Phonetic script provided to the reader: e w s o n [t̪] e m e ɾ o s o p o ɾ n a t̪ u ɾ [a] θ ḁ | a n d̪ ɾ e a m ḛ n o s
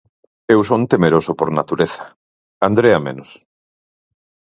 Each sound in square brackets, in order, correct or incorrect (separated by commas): correct, incorrect